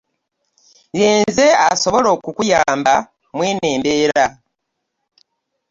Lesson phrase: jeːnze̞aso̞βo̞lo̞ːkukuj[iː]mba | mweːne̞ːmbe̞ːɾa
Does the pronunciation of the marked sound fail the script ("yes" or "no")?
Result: yes